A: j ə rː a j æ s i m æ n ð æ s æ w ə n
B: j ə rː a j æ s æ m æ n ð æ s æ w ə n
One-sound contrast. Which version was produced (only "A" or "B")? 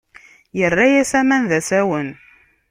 B